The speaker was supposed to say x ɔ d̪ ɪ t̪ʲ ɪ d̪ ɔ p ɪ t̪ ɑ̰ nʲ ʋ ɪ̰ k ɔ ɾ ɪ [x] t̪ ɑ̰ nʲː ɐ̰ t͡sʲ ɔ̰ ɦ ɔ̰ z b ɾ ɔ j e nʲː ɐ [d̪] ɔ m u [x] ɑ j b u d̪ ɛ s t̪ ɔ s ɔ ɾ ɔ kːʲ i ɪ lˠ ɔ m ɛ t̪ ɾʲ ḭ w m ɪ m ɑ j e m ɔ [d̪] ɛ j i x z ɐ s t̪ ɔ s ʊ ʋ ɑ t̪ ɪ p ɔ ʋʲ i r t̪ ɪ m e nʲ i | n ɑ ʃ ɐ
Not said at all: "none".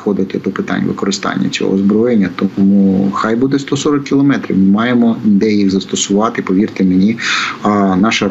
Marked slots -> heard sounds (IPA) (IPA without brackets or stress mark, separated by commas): s, t̪, x, d̪